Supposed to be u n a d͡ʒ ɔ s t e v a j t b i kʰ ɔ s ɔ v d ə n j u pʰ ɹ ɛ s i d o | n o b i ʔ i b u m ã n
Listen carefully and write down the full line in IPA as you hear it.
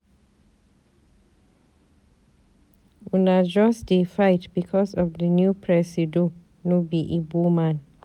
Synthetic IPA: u n a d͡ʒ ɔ s d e f a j t b i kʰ ɔ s ɔ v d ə n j u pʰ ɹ ɛ s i d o | n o b i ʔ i b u m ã n